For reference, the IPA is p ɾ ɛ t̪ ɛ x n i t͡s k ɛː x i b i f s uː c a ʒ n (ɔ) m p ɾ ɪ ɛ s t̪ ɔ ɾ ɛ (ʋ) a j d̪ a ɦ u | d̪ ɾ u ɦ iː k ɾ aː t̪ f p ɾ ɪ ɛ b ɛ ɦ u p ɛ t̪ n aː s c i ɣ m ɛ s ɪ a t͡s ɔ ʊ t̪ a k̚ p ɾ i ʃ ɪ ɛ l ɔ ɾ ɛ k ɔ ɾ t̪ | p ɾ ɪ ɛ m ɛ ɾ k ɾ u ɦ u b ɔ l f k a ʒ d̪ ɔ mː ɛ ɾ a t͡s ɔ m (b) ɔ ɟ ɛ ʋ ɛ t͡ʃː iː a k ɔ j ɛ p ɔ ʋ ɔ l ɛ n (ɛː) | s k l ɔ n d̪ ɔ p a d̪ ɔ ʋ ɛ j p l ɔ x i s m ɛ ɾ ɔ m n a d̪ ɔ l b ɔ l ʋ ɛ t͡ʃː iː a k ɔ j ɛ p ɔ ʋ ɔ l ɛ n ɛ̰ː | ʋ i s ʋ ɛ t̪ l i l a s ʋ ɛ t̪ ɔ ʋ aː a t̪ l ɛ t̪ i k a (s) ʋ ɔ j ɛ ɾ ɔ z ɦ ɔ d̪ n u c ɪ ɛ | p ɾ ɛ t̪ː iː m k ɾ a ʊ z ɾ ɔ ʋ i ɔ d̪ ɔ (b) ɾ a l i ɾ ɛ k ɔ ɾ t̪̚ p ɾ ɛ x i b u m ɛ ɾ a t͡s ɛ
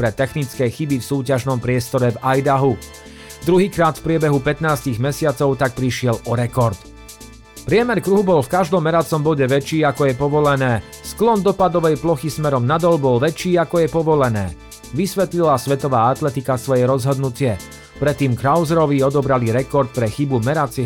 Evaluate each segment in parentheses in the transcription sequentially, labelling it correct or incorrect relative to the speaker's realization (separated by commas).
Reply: correct, incorrect, correct, correct, correct, correct